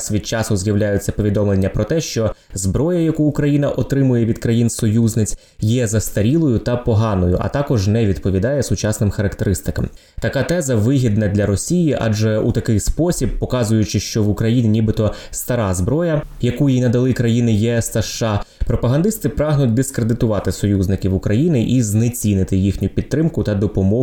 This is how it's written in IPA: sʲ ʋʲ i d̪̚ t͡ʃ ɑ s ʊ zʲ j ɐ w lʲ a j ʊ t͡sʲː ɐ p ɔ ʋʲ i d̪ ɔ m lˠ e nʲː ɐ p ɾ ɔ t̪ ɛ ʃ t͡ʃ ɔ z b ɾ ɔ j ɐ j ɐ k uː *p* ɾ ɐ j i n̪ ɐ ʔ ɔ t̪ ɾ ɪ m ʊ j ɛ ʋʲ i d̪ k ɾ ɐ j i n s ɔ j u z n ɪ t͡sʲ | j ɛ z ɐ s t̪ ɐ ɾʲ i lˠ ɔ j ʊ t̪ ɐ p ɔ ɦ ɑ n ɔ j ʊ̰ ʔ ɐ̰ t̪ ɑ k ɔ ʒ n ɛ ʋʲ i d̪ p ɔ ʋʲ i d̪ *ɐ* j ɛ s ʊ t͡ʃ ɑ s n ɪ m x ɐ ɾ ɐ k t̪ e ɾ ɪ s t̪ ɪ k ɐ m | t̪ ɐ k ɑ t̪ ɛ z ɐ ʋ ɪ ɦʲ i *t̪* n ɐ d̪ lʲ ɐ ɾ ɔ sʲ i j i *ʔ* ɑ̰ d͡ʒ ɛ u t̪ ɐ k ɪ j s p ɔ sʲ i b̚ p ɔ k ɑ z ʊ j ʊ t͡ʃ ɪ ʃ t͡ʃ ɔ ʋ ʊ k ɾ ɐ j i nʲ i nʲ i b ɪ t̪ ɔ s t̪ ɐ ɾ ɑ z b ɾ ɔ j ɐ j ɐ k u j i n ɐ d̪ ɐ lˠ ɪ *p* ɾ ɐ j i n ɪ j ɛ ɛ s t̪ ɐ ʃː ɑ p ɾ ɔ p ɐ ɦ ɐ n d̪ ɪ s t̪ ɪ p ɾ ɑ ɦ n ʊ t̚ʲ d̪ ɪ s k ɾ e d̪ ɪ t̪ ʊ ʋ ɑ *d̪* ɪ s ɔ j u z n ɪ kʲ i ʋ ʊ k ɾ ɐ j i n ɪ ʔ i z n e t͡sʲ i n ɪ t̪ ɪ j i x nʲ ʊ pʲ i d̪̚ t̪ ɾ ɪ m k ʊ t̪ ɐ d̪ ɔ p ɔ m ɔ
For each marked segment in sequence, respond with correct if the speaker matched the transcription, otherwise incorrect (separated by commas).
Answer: incorrect, incorrect, incorrect, correct, incorrect, incorrect